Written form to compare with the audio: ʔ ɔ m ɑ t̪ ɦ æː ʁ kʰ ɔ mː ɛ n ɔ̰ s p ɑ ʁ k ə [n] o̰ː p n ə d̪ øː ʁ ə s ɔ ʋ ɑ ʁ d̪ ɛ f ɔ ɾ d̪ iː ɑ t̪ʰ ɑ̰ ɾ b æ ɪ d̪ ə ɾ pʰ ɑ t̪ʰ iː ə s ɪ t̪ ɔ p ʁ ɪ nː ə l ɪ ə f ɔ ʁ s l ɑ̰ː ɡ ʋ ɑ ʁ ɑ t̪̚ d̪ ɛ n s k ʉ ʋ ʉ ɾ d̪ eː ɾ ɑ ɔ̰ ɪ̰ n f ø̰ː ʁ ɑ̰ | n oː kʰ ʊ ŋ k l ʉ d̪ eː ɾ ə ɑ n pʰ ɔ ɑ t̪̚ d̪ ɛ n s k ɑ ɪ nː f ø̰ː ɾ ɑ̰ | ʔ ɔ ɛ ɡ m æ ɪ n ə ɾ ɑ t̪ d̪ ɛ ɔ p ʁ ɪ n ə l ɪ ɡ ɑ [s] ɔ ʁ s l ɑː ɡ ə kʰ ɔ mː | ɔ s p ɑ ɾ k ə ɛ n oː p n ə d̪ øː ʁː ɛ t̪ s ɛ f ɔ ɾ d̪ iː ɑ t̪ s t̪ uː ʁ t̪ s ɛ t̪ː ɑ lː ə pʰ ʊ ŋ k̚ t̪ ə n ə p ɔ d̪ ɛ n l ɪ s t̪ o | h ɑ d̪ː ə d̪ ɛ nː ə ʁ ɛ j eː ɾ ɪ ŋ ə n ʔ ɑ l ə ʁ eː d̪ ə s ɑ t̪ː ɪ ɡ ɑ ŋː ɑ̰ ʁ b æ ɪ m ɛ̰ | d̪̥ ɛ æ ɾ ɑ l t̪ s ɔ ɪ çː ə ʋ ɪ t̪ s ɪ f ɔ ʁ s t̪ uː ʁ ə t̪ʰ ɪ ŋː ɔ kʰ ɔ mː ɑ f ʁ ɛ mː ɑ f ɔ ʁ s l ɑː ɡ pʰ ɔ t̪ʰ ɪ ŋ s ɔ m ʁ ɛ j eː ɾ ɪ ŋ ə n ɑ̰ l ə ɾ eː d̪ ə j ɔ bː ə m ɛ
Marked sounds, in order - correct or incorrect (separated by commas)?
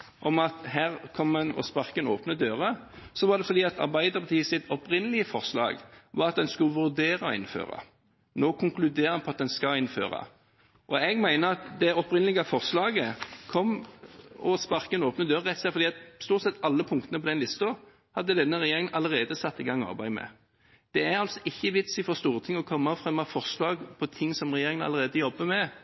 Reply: correct, incorrect